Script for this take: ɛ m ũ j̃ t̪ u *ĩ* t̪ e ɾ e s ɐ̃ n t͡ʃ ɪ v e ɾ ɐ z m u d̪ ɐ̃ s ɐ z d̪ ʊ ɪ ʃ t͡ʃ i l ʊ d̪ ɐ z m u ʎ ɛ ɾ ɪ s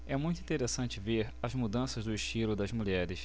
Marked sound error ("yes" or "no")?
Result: no